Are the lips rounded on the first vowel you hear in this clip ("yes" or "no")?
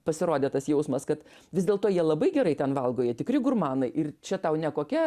no